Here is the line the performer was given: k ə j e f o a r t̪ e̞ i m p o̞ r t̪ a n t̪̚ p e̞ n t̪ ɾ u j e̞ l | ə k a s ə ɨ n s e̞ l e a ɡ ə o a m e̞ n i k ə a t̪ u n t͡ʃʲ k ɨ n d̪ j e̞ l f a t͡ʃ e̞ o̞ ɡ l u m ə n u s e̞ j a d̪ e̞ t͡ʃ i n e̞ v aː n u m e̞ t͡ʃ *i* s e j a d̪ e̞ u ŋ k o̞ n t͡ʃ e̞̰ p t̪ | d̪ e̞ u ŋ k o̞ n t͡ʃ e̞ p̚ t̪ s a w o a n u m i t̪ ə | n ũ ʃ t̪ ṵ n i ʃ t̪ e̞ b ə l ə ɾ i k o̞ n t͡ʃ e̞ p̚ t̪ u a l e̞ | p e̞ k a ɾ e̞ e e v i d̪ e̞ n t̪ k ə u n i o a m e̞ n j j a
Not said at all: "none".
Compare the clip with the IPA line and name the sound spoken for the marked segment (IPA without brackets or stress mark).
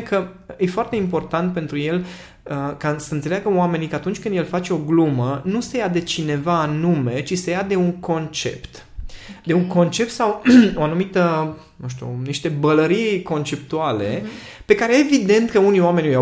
i